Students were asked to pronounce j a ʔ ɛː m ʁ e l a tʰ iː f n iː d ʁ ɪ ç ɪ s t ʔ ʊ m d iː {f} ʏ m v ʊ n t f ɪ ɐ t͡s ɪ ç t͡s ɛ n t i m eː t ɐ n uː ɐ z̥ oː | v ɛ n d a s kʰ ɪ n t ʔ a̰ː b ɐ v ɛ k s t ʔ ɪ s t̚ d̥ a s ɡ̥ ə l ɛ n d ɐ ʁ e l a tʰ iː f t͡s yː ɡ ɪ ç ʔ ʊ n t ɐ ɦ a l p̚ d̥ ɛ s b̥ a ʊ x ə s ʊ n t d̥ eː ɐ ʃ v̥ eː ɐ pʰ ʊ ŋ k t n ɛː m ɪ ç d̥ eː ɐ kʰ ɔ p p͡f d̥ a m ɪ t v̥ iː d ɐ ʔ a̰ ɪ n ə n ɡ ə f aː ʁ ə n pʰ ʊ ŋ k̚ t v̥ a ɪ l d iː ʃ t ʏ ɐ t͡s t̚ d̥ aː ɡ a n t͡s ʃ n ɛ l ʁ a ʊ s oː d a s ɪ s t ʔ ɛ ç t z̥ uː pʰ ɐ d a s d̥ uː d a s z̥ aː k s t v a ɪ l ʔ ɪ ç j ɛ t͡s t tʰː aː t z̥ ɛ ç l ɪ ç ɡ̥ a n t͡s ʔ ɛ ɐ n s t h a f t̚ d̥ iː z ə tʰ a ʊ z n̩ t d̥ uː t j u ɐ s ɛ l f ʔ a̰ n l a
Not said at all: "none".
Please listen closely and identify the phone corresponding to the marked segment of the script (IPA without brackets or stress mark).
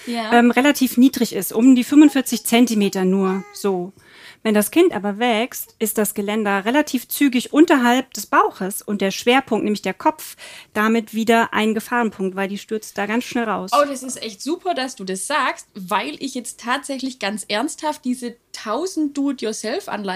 f